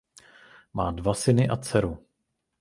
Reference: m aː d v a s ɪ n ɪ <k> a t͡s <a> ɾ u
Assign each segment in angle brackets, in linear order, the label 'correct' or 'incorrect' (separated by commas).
incorrect, incorrect